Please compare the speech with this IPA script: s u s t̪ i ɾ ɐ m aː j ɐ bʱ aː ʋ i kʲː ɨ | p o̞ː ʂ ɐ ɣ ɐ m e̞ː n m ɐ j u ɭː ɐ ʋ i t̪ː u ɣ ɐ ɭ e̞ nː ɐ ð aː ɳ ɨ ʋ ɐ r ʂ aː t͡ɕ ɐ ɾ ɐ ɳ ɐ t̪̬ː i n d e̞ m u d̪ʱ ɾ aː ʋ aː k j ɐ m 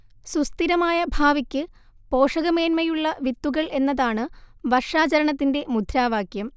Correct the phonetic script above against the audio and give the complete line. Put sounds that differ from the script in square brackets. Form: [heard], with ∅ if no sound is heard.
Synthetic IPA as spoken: s u s t̪ i ɾ ɐ m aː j ɐ bʱ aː ʋ i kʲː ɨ | p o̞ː ʂ ɐ ɣ ɐ m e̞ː n m ɐ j u ɭː ɐ ʋ i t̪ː u ɣ ɐ ɭ e̞ nː ɐ ð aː ɳ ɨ ʋ ɐ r ʂ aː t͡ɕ ɐ ɾ ɐ ɳ ɐ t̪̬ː i n d e̞ m u d̪ʱ ɾ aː ʋ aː k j ɐ m